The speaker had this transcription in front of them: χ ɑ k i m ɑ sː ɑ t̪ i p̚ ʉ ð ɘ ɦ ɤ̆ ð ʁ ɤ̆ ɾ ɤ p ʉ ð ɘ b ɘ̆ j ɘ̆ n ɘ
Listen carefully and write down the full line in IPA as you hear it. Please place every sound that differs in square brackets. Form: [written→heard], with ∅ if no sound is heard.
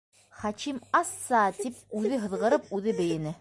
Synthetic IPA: χ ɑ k i m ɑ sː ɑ t̪ i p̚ ʉ ð ɘ ɦ ɤ̆ ð ʁ ɤ̆ ɾ ɤ p ʉ ð ɘ b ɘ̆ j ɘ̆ n ɘ